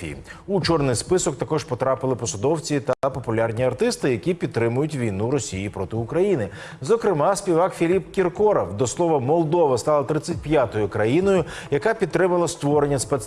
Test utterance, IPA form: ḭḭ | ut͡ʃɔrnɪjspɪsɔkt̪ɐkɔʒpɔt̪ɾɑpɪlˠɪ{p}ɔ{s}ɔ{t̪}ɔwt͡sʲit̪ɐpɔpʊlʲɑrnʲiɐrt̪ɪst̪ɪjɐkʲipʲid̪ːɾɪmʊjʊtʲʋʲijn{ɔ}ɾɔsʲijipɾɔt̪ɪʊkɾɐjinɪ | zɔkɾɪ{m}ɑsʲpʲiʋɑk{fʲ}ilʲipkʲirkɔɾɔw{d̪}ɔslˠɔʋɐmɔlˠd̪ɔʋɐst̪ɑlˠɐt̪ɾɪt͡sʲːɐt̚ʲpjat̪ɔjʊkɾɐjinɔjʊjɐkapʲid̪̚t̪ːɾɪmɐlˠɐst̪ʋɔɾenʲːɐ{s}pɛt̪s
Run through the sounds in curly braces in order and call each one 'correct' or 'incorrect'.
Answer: correct, correct, incorrect, incorrect, correct, correct, correct, correct

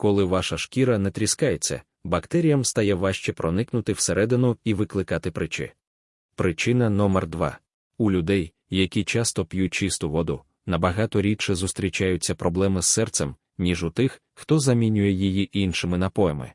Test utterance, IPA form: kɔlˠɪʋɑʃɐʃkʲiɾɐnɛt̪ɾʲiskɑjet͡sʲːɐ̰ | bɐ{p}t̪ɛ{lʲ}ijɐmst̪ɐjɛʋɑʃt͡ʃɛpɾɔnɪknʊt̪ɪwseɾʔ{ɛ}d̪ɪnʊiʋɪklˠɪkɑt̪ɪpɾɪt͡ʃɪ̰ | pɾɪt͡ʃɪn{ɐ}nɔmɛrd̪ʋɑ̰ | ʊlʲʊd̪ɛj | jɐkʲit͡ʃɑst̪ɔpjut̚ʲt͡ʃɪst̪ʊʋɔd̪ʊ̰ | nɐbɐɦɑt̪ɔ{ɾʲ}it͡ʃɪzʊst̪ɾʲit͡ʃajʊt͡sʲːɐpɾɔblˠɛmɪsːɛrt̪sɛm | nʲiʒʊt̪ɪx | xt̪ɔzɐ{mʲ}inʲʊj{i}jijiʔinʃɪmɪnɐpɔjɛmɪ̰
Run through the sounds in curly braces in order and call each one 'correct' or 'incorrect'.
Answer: incorrect, incorrect, correct, correct, correct, correct, incorrect

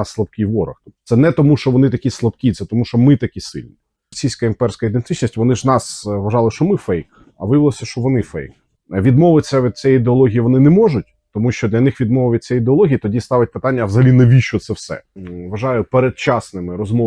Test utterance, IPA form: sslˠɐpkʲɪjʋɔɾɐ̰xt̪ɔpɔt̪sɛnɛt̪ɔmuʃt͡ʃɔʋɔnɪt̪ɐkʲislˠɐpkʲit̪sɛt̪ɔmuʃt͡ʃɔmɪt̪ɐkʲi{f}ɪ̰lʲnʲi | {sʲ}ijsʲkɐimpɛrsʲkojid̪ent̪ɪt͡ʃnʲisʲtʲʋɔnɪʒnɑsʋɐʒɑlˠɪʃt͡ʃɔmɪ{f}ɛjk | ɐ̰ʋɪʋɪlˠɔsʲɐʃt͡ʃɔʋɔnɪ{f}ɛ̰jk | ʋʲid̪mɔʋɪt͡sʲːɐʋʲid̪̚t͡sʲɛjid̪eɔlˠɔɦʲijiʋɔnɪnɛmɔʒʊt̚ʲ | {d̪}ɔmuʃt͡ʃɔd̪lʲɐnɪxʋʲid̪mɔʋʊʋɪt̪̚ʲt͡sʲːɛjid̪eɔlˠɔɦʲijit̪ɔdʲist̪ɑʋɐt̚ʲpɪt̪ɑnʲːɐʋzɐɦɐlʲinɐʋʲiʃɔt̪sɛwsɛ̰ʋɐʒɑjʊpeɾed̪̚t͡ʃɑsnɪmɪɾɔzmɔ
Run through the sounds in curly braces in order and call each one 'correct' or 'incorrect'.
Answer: incorrect, correct, correct, correct, incorrect

